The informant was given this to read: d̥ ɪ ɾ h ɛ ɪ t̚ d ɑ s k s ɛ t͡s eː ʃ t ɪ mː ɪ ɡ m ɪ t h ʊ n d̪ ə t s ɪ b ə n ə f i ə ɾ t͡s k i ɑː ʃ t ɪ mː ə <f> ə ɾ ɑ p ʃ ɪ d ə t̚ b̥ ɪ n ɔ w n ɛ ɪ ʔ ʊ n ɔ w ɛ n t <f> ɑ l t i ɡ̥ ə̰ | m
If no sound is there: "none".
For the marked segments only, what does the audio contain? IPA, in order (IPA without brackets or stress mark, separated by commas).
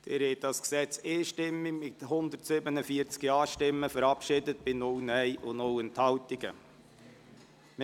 f, h